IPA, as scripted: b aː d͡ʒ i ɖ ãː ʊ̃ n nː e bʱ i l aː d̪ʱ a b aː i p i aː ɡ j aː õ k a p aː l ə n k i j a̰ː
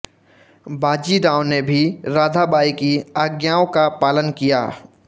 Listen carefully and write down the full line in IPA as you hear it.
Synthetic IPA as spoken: b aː d͡ʒ i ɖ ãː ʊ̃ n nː e bʱ i ɾ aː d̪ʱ a b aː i k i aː ɡ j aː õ k a p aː l ə n k i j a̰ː